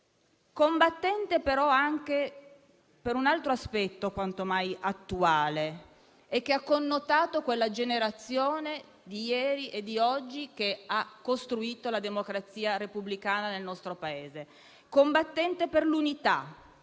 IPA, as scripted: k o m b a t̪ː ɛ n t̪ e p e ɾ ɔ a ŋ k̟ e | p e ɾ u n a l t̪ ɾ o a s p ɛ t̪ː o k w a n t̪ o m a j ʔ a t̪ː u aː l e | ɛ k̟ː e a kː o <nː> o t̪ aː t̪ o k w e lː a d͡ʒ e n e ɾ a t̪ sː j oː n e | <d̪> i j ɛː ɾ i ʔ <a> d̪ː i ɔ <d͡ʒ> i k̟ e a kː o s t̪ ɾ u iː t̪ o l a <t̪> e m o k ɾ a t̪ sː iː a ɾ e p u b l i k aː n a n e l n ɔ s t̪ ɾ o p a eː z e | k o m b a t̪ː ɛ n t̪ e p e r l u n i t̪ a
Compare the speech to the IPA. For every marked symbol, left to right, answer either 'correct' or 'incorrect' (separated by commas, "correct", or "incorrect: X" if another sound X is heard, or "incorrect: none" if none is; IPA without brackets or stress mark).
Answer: correct, correct, incorrect: e, incorrect: d͡ʒː, incorrect: d̪